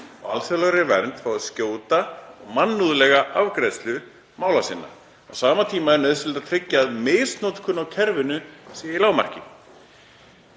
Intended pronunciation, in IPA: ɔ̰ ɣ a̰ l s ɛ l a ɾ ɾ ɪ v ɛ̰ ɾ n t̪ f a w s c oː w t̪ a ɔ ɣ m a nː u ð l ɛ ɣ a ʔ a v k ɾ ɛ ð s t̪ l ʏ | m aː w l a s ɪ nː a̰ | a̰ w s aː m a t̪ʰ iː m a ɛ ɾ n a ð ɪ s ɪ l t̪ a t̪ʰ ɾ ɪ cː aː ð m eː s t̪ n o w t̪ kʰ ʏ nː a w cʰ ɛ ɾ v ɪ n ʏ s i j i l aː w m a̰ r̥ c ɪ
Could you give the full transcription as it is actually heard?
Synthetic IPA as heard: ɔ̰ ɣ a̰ l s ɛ l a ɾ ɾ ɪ v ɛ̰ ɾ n t̪ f a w s c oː w t̪ a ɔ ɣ m a nː u ð l ɛ ɣ a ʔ a v k ɾ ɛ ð s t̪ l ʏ | m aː w l a s ɪ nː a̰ | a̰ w s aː m a t̪ʰ iː m a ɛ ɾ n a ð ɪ s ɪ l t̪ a t̪ʰ ɾ ɪ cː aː ð m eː s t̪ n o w t̪ kʰ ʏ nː a w cʰ ɛ ɾ v ɪ n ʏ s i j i l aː w m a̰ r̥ c ɪ